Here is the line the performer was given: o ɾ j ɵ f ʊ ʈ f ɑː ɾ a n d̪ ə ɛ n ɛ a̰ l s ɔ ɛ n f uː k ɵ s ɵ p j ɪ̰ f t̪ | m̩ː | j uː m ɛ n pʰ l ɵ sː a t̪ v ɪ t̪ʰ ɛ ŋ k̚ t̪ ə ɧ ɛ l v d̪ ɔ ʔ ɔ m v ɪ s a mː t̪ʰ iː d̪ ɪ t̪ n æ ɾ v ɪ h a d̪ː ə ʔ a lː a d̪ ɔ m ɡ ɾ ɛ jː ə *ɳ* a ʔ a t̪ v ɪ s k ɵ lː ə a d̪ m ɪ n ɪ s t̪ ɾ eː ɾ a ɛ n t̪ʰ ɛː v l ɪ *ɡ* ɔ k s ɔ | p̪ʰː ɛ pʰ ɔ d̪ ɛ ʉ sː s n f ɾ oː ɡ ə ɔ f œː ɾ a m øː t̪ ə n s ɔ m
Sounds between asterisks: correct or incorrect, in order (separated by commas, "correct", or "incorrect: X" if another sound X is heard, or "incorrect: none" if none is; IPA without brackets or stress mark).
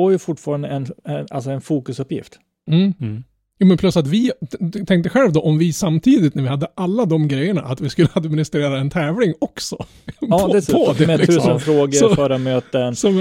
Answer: correct, incorrect: ŋ